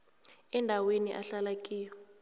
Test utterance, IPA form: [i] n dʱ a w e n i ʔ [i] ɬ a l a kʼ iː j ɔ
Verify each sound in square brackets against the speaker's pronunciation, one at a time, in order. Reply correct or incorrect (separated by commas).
incorrect, incorrect